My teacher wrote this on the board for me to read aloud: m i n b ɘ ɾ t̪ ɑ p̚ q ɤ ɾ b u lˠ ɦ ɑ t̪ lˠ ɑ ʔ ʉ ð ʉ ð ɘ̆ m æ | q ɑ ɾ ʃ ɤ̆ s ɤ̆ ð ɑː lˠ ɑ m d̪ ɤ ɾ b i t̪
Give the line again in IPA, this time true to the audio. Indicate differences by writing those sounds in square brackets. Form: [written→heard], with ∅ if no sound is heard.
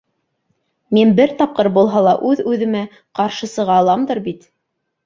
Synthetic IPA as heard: m i n b ɘ ɾ t̪ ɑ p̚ q ɤ ɾ b u lˠ ɦ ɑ [t̪→∅] lˠ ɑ ʔ ʉ ð ʉ ð ɘ̆ m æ | q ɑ ɾ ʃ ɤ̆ s ɤ̆ [ð→ʁ] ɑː lˠ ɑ m d̪ ɤ ɾ b i t̪